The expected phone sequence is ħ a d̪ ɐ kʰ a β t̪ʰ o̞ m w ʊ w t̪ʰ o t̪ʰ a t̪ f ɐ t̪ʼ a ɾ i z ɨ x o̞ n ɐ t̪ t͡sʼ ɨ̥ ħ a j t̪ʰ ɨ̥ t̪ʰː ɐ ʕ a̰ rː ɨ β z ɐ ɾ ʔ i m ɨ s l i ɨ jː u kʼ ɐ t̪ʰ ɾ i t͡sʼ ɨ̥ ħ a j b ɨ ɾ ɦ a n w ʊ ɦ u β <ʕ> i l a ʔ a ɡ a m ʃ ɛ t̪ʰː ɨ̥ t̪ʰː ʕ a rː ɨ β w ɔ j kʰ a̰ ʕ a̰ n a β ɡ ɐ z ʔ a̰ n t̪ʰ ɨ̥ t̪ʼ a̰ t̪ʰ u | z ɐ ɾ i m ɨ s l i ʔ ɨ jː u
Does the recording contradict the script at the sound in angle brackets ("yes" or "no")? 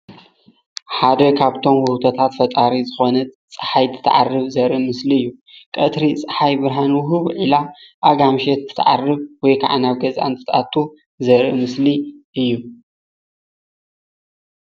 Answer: no